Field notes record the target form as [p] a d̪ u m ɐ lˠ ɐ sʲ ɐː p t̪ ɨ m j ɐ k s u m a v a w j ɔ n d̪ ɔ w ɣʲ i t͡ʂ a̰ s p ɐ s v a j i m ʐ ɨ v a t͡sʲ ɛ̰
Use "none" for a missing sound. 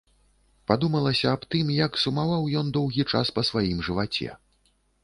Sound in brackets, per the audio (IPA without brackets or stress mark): p